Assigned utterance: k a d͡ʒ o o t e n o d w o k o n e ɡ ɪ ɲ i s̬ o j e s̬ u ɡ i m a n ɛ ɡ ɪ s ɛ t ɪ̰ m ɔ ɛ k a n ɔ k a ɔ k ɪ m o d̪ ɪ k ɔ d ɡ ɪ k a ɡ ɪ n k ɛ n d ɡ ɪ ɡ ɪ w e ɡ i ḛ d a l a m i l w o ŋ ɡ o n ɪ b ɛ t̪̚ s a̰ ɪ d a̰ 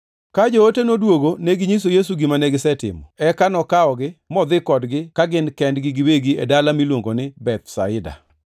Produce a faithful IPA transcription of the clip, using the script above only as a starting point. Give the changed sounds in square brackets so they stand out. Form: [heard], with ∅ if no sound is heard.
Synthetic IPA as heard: k a d͡ʒ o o t e n o d w o [ɡ] o n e ɡ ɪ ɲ i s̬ o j e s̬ u ɡ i m a n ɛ ɡ ɪ s ɛ t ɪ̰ m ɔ ɛ k a n ɔ k a ɔ [ɡ] ɪ m [ɔ] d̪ ɪ k ɔ d ɡ ɪ k a ɡ ɪ n k ɛ n d ɡ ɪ ɡ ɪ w e ɡ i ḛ d a l a m i l w o ŋ ɡ o n ɪ b ɛ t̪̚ s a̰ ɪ d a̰

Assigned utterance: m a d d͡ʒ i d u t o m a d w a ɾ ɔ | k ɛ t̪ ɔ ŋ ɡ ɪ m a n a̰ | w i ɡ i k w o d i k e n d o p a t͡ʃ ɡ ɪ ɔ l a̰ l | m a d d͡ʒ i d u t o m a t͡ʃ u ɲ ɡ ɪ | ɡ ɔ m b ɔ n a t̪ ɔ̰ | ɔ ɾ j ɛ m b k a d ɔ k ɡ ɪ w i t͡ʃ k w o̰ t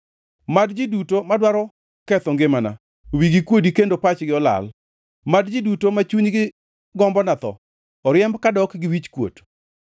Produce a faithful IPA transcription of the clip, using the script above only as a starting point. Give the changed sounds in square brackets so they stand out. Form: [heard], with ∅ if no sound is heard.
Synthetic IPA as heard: m a d d͡ʒ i d u t o m a d w a ɾ ɔ | k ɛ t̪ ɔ ŋ ɡ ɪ m a n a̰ | w i ɡ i k w o d i k e n d o p a t͡ʃ ɡ ɪ ɔ l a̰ l | m a d d͡ʒ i d u t o m a t͡ʃ u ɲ ɡ ɪ | ɡ ɔ m b ɔ n a t̪ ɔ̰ | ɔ ɾ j ɛ m b k a d ɔ k ɡ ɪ w i t͡ʃ k w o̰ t

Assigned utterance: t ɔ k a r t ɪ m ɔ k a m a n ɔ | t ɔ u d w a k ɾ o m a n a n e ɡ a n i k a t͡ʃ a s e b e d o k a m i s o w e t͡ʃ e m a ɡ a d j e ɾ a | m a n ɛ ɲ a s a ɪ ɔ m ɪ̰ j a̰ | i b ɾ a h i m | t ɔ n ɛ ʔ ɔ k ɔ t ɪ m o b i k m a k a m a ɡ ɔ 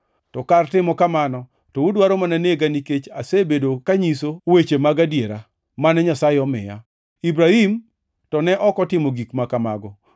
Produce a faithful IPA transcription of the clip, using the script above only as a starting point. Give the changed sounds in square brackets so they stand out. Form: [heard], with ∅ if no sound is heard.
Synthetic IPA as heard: t ɔ k a r t ɪ m ɔ k a m a n ɔ | t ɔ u d w a [∅] ɾ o m a n a n e ɡ a n i k [e] t͡ʃ a s e b e d o k a [ɲ] i s o w e t͡ʃ e m a ɡ a d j e ɾ a | m a n ɛ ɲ a s a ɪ ɔ m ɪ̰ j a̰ | i b ɾ a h i m | t ɔ n ɛ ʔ ɔ k ɔ t ɪ m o [ɡ] i k m a k a m a ɡ ɔ

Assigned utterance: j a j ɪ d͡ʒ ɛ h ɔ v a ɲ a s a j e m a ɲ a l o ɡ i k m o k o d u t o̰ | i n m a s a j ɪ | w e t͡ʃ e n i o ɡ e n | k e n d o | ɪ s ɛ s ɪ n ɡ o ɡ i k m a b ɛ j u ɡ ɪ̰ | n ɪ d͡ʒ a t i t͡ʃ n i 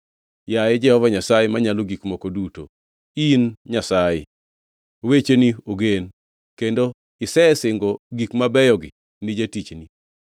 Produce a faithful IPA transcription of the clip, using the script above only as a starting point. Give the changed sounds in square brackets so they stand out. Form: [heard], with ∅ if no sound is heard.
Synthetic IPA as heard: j a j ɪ d͡ʒ ɛ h ɔ v a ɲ a s a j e m a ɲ a l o ɡ i k m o k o d u t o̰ | i n [ɲ] a s a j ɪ | w e t͡ʃ e n i o ɡ e n | k e n d o | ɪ s ɛ s ɪ [ŋ] ɡ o ɡ i k m a b ɛ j [ɔ] ɡ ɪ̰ | n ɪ d͡ʒ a t i t͡ʃ n i

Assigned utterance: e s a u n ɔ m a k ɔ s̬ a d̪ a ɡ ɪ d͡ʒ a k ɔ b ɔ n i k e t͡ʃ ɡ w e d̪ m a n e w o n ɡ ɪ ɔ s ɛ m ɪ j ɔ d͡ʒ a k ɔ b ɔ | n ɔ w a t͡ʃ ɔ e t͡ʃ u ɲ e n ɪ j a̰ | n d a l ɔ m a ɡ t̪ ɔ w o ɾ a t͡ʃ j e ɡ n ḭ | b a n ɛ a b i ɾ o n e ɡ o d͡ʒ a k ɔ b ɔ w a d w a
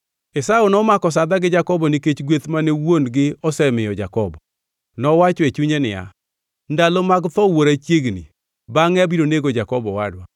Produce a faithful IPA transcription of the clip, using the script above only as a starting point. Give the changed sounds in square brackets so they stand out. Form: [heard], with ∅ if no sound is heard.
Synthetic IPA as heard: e s a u n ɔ m a k ɔ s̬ a d̪ a ɡ ɪ d͡ʒ a k ɔ b ɔ n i k e t͡ʃ ɡ w e [t̪] m a n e w o n ɡ ɪ ɔ s ɛ m ɪ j ɔ d͡ʒ a k ɔ b ɔ | n ɔ w a t͡ʃ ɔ e t͡ʃ u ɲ e n ɪ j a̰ | n d a l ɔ m a ɡ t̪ ɔ w o ɾ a t͡ʃ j e ɡ n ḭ | b a [ŋ] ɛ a b i ɾ o n e ɡ o d͡ʒ a k ɔ b ɔ w a d w a

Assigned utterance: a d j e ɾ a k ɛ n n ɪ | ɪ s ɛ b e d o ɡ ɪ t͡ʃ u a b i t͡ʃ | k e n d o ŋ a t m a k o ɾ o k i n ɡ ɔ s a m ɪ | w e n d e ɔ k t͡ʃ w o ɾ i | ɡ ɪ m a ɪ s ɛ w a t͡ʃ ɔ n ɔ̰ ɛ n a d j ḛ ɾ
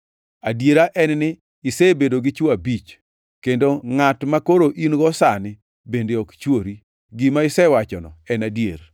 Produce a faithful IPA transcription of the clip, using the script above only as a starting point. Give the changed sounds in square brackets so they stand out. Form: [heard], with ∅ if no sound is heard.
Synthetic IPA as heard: a d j e ɾ a [ʔ] ɛ n n ɪ | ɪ s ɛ b e d o ɡ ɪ t͡ʃ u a b i t͡ʃ | k e n d o ŋ a t m a k o ɾ o [ʔ] i n ɡ ɔ s a [n] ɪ | [b] e n d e ɔ k t͡ʃ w o ɾ i | ɡ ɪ m a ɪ s ɛ w a t͡ʃ ɔ n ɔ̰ ɛ n a d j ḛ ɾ

